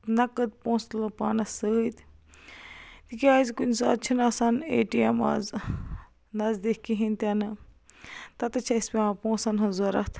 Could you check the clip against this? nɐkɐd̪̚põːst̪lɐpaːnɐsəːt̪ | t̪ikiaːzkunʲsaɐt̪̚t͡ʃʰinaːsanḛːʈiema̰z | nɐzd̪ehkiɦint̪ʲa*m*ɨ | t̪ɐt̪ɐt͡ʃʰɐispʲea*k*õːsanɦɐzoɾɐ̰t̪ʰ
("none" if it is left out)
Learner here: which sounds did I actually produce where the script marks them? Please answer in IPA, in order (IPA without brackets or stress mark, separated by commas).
n, p